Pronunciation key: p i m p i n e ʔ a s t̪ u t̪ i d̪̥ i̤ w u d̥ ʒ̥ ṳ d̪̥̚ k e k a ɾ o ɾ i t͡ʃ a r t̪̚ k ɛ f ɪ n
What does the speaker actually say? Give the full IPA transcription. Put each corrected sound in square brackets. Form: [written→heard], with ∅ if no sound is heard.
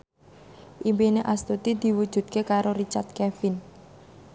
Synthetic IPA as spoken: [p→ʔ] i m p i n e ʔ a s t̪ u t̪ i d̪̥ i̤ w u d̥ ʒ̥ ṳ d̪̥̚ k e k a ɾ o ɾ i t͡ʃ a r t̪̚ k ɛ f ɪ n